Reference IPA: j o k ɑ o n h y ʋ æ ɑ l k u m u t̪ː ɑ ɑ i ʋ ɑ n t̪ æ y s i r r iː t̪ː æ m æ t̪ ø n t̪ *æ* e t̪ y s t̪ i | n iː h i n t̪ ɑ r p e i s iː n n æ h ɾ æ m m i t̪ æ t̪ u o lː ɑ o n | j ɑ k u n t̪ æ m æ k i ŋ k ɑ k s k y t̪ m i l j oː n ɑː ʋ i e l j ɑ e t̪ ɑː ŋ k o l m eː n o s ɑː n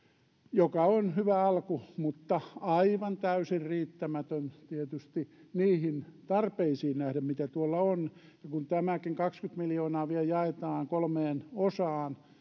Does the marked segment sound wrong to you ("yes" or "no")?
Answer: yes